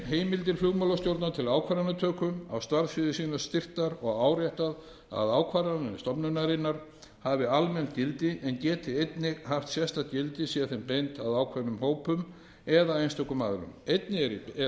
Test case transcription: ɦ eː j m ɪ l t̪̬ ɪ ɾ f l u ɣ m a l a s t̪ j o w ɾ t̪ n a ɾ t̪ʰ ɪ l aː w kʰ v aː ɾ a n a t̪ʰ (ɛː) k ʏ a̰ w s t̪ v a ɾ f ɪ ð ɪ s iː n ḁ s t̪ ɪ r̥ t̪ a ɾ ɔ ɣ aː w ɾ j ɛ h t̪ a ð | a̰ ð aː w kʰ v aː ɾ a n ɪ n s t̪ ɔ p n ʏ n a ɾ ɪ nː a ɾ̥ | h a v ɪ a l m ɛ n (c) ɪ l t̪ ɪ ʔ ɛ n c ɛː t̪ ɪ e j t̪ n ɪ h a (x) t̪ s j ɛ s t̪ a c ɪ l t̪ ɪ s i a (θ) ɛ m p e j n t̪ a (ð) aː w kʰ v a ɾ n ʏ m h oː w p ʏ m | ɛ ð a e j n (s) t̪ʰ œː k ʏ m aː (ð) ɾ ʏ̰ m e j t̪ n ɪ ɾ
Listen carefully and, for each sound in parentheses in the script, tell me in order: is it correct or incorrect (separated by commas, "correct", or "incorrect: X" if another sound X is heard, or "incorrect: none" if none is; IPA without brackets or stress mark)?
incorrect: œː, correct, incorrect: f, correct, correct, correct, correct